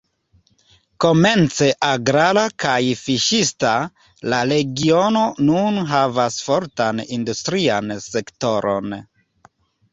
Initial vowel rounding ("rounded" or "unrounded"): rounded